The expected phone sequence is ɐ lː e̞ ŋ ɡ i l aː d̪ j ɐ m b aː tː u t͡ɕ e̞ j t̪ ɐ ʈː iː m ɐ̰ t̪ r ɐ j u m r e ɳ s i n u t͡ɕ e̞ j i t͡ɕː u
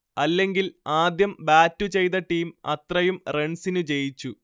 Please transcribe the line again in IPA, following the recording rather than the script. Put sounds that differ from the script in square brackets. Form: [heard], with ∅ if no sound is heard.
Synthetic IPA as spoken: ɐ lː e̞ ŋ ɡ i l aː d̪ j ɐ m b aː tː u t͡ɕ e̞ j t̪ ɐ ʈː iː m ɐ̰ t̪ r ɐ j u m r e ɳ s i n u t͡ɕ e̞ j i t͡ɕː u